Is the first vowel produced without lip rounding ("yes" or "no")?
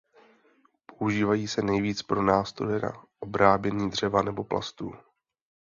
no